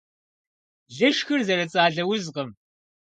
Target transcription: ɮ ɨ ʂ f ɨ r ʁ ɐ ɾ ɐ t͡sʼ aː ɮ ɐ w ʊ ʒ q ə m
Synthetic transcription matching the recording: ɮ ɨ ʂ x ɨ r z ɐ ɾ ɐ t͡sʼ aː ɮ ɐ w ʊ z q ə m